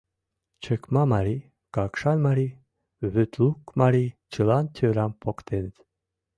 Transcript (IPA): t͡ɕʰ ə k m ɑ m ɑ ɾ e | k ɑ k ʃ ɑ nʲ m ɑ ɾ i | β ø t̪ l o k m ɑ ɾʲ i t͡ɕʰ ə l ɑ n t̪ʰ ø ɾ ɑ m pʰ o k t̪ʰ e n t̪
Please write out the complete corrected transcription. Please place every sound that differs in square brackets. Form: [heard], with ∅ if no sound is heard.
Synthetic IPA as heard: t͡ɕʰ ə k m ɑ m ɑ ɾ [i] | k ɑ k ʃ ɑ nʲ m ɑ ɾ i | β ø t̪ l [u] k m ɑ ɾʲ i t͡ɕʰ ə l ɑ n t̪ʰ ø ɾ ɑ m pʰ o k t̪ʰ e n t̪